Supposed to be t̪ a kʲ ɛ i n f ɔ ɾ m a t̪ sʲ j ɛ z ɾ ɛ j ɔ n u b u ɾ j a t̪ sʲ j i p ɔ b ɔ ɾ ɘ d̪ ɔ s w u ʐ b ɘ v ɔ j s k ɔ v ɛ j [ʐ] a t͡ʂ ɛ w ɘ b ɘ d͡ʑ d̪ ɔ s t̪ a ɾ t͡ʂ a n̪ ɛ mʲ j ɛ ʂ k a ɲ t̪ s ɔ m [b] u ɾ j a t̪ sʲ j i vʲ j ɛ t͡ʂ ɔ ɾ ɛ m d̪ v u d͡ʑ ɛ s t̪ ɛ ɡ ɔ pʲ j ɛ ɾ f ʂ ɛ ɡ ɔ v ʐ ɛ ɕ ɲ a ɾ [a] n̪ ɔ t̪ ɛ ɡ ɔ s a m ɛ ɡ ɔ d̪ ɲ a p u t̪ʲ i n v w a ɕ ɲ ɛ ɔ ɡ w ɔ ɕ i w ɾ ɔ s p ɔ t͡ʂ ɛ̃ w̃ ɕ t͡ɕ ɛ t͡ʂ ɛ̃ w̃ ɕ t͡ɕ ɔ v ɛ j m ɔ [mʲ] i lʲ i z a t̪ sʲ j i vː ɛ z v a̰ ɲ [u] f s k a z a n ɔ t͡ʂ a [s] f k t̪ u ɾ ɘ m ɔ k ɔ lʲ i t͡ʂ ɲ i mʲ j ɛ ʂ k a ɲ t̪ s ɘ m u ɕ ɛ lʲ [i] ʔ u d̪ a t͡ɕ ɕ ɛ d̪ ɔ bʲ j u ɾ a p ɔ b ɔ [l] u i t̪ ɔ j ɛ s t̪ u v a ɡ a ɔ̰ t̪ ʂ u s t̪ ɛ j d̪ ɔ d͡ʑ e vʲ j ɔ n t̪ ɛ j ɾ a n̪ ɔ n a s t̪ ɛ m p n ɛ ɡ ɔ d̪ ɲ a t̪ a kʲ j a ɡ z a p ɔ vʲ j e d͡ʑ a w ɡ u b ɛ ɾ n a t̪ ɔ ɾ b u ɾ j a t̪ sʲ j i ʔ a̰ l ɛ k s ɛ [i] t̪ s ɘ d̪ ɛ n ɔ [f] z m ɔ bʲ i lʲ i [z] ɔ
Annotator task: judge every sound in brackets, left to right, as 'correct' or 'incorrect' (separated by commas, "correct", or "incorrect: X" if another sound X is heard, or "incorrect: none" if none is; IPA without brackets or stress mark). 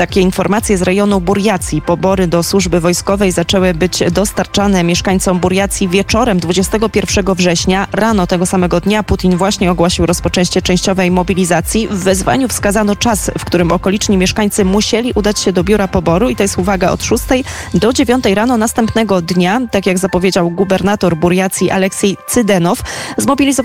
incorrect: z, correct, correct, incorrect: bʲ, correct, correct, correct, incorrect: ɾ, incorrect: j, correct, correct